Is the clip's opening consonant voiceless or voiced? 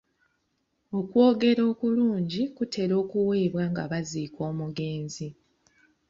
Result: voiceless